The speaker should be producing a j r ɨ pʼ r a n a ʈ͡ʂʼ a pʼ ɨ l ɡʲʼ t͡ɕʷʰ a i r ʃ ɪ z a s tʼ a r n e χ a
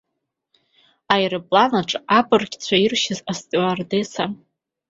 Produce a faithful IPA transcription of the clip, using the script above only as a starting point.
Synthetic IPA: a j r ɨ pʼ l a n a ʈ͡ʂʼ a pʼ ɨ r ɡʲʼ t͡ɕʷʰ a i r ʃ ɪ z a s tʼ a r d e s a